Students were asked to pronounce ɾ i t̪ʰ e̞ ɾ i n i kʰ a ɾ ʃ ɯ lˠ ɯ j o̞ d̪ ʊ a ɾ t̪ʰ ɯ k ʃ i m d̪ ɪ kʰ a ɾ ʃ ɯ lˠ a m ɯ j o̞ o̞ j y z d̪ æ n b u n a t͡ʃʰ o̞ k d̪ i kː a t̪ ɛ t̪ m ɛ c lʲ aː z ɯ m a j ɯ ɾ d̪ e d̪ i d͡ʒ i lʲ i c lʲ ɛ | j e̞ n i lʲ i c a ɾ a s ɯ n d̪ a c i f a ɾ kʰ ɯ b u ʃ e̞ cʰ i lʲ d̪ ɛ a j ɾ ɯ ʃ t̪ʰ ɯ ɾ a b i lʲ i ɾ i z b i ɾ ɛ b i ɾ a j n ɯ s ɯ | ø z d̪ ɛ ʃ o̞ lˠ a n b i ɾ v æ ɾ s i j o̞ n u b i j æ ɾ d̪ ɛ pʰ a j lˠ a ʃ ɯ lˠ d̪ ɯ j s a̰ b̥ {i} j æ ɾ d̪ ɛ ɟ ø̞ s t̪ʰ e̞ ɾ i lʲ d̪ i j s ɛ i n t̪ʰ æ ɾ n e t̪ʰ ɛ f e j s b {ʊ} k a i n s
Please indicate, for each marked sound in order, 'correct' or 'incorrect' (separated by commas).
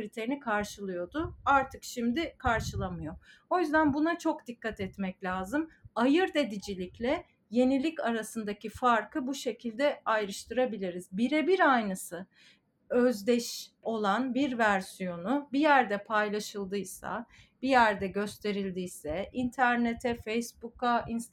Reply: correct, incorrect